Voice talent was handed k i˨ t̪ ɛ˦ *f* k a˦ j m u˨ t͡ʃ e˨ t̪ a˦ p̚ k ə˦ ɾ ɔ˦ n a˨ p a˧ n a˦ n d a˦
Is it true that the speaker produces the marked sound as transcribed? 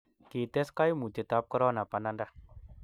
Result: no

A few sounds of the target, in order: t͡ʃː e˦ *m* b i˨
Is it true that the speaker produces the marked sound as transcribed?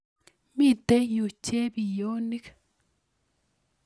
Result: no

